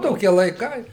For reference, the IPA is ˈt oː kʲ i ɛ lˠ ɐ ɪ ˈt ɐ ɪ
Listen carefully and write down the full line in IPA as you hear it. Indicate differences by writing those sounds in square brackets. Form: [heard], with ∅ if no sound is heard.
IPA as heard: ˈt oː kʲ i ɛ lˠ ɐ ɪ [ˈk] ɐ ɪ